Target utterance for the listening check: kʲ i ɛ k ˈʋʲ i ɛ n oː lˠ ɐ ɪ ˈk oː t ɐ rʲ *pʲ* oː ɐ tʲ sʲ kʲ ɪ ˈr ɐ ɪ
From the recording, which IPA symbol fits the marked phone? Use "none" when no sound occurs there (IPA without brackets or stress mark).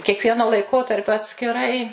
pʲ